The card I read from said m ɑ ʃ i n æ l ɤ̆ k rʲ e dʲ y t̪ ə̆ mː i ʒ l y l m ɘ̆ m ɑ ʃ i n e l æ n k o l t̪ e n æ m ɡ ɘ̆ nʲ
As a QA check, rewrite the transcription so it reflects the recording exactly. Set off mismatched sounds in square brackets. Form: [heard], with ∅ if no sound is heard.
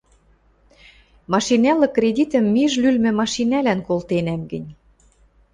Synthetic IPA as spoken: m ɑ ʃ i n æ l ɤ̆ k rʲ e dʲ [i] t̪ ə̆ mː i ʒ l y l m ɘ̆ m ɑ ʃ i n [æ] l æ n k o l t̪ e n æ m ɡ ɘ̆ nʲ